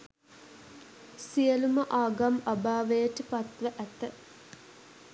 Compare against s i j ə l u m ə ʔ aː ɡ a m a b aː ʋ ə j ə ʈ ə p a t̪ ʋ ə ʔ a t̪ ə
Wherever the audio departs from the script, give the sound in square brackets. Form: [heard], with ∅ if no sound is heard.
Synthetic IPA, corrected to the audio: s i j ə l u m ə ʔ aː ɡ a m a b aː ʋ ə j ə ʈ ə p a t̪ ʋ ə ʔ [æ] t̪ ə